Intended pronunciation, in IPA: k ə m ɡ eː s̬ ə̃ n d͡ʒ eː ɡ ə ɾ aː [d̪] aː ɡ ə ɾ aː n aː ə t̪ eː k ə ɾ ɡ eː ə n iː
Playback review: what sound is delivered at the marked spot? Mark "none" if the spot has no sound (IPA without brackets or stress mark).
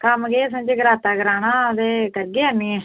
t̪